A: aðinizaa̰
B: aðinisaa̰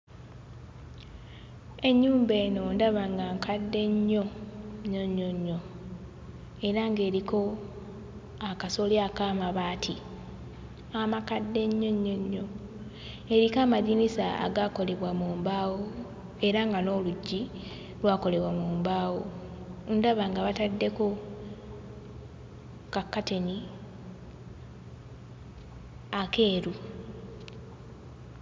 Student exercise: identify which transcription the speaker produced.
B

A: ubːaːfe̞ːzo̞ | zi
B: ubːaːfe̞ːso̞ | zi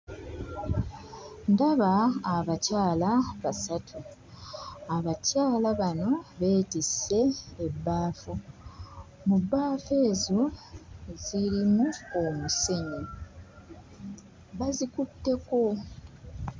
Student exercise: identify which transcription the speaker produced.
A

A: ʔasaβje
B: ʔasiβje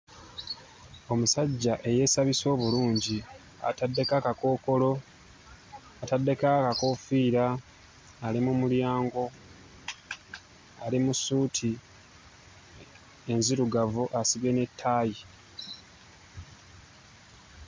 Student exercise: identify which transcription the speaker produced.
B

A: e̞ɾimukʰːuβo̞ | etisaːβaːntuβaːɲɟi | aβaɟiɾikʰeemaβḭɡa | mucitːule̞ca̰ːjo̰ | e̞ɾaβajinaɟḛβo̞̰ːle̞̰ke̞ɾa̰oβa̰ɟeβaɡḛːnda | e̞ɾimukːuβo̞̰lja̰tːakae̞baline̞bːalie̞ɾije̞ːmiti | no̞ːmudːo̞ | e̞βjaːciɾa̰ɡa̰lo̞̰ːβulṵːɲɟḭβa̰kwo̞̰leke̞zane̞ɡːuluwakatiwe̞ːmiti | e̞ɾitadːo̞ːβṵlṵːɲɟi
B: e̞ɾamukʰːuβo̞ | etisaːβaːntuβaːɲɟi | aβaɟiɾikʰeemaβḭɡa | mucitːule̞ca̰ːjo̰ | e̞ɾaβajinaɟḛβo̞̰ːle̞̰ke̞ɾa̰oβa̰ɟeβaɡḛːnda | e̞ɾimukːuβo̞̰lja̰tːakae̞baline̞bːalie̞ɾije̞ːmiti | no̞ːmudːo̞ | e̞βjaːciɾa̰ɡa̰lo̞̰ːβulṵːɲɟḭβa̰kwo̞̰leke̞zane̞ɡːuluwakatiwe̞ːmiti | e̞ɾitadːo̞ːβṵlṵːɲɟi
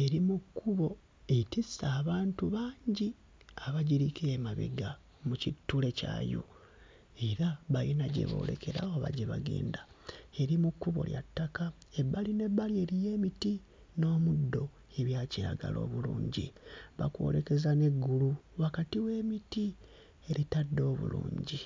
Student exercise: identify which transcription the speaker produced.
A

